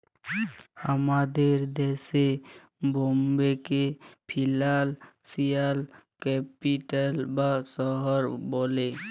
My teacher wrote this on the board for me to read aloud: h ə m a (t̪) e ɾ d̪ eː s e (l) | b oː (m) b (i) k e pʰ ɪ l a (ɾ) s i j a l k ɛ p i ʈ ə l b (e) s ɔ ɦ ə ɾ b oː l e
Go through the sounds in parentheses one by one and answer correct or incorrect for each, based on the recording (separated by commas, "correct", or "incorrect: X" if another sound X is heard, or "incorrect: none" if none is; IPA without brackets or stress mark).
incorrect: d̪, incorrect: none, correct, incorrect: e, incorrect: l, incorrect: a